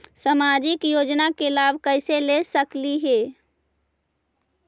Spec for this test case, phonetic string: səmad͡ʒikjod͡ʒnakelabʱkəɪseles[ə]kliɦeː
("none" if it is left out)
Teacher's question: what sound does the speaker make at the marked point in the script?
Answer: ə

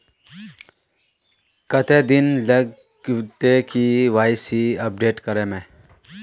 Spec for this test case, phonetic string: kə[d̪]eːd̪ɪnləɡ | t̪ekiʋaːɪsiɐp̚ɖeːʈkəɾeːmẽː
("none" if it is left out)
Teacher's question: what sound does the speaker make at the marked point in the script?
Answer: t̪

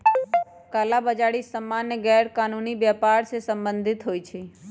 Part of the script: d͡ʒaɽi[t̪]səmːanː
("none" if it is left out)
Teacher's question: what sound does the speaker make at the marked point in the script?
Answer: none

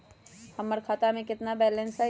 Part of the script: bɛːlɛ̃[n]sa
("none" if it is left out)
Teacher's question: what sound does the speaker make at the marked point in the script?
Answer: n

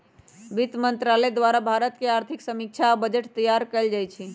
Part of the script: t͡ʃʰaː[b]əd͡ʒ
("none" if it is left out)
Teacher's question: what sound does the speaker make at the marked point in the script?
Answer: b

